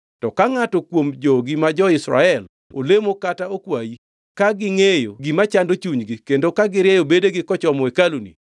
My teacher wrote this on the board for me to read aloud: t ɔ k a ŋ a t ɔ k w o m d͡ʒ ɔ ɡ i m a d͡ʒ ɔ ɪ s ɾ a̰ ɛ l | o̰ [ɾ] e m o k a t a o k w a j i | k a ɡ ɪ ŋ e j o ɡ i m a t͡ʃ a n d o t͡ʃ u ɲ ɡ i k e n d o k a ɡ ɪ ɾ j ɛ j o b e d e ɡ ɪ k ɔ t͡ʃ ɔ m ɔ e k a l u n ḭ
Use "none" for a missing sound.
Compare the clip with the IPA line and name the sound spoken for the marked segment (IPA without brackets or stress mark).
l